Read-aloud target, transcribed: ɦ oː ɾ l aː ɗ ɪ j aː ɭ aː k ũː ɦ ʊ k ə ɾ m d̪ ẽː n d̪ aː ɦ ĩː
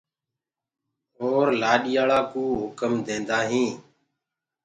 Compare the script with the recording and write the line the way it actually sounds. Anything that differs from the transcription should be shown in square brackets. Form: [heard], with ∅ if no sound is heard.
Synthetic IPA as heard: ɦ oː ɾ l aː ɗ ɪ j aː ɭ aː k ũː ɦ ʊ k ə [∅] m d̪ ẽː n d̪ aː ɦ ĩː

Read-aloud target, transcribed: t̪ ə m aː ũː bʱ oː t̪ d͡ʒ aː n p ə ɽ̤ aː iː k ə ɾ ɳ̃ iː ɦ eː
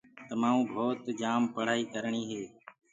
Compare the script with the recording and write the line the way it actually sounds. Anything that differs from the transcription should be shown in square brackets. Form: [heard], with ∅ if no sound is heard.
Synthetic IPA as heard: t̪ ə m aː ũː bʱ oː t̪ d͡ʒ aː [m] p ə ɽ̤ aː iː k ə ɾ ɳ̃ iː ɦ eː

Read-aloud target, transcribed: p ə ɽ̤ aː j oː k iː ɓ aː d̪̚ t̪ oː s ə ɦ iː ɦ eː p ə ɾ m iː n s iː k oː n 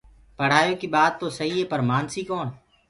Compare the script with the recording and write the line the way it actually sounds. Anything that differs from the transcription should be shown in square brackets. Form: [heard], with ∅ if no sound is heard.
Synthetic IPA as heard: p ə ɽ̤ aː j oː k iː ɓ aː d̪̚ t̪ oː s ə ɦ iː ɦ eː p ə ɾ m [aː] n s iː k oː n

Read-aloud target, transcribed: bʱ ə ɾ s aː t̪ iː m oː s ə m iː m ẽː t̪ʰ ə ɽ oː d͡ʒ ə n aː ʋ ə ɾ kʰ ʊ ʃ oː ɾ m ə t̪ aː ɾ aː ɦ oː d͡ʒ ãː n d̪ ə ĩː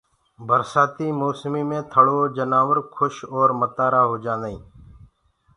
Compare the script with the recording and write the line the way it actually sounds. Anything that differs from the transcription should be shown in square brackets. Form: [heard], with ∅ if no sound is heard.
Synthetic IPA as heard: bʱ ə ɾ s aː t̪ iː m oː s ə m iː m ẽː t̪ʰ ə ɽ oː d͡ʒ ə n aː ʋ ə ɾ kʰ ʊ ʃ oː ɾ m ə t̪ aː ɾ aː ɦ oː d͡ʒ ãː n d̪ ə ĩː

